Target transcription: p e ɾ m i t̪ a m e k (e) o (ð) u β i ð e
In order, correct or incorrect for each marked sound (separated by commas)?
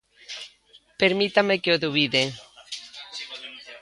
correct, correct